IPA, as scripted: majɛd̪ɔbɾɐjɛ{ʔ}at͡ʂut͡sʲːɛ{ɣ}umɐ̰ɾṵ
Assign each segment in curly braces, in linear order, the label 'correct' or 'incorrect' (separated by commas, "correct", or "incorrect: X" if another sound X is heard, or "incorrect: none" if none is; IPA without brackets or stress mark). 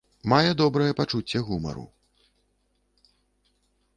incorrect: p, correct